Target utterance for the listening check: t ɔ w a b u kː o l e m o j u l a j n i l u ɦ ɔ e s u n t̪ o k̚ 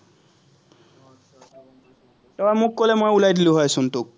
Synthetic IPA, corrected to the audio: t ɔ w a m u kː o l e m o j u l a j d i l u ɦ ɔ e s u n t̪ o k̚